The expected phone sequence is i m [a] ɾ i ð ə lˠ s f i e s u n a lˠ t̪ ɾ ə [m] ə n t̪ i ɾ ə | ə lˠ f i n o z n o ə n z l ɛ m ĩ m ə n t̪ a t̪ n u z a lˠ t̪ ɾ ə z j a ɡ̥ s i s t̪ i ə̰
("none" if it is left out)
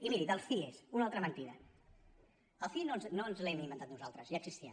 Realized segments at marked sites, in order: i, m

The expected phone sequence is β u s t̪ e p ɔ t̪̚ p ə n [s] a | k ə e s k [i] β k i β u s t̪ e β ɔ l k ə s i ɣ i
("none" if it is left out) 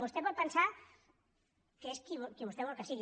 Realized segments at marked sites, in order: s, i

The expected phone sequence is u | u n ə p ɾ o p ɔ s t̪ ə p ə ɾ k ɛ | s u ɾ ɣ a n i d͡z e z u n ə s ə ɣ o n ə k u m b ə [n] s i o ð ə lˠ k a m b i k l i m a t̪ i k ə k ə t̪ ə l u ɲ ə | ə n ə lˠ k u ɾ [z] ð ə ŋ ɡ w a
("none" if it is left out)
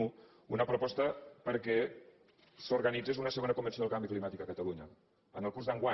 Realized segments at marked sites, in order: n, z

